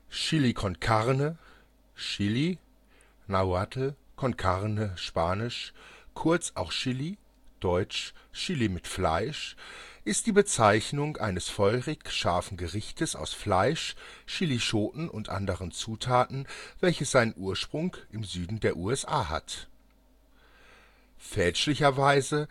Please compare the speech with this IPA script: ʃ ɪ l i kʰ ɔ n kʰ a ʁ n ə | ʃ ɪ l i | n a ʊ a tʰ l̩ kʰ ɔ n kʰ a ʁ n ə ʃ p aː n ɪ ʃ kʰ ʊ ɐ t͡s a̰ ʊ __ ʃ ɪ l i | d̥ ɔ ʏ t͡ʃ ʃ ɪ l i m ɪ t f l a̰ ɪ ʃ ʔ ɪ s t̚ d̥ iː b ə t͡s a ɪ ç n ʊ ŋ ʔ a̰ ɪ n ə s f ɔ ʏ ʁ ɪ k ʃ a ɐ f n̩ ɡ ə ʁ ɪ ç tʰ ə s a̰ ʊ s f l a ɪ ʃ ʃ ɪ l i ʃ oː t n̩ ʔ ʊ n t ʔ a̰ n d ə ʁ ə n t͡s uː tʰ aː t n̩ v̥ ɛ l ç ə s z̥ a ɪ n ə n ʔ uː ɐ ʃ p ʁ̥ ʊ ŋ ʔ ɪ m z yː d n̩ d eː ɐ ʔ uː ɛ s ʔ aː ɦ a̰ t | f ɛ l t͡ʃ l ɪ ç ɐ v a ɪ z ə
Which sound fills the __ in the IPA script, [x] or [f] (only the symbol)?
x